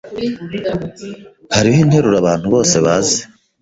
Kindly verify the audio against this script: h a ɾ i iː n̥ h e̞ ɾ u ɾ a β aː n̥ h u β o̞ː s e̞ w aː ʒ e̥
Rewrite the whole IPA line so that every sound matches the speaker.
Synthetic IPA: h a ɾ i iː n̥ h e̞ ɾ u ɾ a β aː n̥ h u β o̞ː s e̞ β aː z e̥